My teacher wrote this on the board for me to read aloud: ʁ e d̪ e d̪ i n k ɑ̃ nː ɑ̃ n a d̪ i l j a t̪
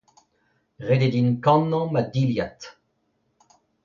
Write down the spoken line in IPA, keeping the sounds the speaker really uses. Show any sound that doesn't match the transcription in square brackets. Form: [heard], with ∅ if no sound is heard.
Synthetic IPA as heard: ʁ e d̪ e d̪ i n k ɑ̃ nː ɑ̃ [m] a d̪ i l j a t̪

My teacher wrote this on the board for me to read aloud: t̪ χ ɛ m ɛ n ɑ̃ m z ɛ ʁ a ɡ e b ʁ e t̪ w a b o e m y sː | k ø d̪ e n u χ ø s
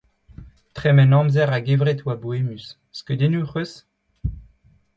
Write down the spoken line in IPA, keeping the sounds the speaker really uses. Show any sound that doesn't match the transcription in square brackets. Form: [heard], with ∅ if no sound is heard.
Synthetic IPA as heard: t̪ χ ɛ m ɛ n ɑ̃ m z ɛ ʁ a ɡ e [v] ʁ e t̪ w a b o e m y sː | k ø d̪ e n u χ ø s

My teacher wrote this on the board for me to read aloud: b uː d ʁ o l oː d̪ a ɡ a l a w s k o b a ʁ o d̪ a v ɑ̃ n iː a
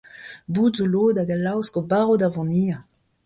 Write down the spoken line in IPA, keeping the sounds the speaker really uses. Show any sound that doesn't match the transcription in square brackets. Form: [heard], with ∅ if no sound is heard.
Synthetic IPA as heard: b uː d [z] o l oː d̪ a ɡ a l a w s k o b a ʁ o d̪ a v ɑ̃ n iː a

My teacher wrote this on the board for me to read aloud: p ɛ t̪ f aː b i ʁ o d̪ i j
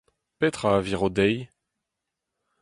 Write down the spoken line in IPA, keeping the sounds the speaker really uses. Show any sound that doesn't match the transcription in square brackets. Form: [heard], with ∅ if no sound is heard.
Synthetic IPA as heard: p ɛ t̪ [χ] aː [v] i ʁ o d̪ [ɛ] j

